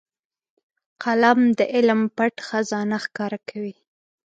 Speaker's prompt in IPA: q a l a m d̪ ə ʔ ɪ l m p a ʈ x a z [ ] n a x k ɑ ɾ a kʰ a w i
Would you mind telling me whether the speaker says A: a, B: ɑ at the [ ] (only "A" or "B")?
B